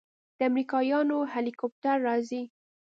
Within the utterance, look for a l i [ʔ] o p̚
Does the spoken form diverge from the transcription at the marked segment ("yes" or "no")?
yes